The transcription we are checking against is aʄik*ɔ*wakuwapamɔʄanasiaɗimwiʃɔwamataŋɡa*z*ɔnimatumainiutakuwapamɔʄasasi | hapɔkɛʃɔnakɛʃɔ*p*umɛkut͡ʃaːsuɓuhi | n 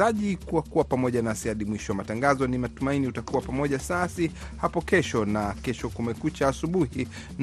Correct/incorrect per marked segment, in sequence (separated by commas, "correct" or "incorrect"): incorrect, correct, incorrect